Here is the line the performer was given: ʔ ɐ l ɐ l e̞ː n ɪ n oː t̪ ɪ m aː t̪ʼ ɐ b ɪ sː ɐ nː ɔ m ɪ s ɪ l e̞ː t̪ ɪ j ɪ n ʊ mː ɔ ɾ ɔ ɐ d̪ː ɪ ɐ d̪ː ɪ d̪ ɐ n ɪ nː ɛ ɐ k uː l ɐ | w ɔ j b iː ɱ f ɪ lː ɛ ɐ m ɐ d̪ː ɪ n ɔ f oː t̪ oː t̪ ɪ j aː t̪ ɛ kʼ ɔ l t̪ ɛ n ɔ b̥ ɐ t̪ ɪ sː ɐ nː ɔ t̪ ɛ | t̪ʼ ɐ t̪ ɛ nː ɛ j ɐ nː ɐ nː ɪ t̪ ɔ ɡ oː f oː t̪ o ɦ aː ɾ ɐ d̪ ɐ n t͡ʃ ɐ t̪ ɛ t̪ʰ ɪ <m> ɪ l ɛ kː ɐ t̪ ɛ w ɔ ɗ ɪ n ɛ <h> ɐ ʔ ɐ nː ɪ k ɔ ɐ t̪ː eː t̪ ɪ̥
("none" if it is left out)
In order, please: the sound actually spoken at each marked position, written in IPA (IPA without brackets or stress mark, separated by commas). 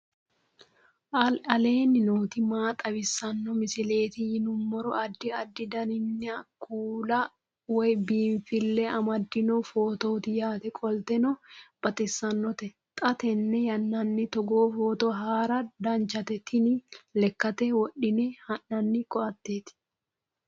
n, h